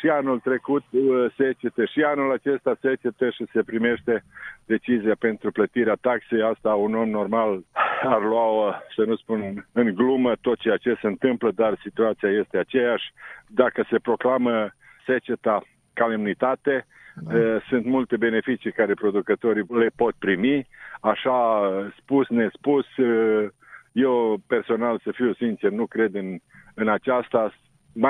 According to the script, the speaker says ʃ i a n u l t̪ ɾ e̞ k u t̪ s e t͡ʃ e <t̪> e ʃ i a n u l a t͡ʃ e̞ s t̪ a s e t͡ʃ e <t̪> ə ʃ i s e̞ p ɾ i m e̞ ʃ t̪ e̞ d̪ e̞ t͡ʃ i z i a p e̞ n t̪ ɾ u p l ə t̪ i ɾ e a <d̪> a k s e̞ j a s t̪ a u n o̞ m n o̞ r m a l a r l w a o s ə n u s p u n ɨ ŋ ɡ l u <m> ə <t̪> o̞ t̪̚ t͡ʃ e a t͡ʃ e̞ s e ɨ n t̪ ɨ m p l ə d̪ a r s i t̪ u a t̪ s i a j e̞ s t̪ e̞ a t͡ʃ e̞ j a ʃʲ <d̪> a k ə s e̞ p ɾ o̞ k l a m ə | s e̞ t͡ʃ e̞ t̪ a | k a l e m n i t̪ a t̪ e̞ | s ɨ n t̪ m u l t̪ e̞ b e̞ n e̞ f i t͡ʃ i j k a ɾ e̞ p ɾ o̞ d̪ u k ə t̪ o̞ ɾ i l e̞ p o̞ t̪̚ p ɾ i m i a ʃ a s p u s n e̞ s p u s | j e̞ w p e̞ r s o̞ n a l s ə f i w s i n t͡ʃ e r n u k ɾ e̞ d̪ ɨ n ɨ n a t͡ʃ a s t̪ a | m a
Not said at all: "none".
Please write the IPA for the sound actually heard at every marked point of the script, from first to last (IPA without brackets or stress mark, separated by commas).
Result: t̪, t̪, t̪, m, t̪, d̪